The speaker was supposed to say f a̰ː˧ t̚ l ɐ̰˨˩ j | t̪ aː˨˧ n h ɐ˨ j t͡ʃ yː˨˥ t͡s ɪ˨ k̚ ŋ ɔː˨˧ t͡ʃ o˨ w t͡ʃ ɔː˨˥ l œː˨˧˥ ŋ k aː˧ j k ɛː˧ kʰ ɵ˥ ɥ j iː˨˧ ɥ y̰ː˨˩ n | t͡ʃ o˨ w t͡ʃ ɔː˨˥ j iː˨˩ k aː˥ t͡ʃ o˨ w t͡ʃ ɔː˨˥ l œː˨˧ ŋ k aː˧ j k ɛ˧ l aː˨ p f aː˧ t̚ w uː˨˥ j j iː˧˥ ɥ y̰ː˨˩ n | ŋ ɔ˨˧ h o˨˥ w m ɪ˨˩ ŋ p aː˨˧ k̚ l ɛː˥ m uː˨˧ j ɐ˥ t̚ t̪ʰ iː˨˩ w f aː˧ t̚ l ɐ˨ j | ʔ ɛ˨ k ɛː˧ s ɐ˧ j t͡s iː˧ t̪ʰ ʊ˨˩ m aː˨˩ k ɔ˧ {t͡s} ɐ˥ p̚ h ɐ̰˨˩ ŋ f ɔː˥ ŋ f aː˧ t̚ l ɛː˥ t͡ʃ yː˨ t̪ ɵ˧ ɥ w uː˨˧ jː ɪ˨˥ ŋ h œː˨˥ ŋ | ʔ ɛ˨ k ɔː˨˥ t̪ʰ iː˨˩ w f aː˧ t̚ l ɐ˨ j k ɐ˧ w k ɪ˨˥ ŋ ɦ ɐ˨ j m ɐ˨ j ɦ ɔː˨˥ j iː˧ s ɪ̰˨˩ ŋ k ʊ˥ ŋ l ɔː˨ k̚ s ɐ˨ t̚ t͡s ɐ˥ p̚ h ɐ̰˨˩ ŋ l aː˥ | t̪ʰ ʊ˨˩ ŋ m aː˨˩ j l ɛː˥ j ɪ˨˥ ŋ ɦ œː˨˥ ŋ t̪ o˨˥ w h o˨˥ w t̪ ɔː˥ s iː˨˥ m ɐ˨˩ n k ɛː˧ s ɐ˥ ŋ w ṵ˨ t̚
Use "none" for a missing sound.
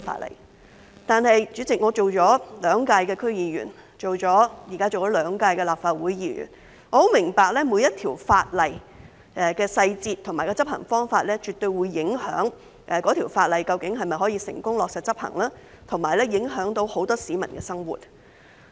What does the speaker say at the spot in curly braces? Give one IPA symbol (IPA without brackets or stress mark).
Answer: t͡s